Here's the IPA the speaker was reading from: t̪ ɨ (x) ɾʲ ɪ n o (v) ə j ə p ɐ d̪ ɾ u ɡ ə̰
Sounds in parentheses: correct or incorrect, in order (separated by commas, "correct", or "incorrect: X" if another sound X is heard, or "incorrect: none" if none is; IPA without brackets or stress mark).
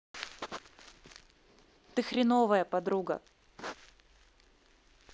correct, correct